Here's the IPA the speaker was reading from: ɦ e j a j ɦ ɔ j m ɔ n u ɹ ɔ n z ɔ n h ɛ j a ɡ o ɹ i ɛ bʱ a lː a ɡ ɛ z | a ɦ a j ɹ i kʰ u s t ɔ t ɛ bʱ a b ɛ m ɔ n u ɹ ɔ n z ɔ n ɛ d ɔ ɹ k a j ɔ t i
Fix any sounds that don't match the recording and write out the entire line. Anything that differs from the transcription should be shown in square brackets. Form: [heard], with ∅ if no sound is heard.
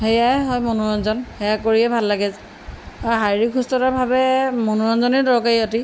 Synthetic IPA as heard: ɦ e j a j ɦ ɔ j m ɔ n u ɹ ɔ n z ɔ n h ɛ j a [k] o ɹ i ɛ bʱ a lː a ɡ ɛ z | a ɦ a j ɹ i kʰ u s t ɔ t [a] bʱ a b ɛ m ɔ n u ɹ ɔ n z ɔ n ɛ d ɔ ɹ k a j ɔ t i